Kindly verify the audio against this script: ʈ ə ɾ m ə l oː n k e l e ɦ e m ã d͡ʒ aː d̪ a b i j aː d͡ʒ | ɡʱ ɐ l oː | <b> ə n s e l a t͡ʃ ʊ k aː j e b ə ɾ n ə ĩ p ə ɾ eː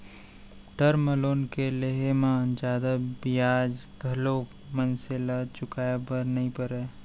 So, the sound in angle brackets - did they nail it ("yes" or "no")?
no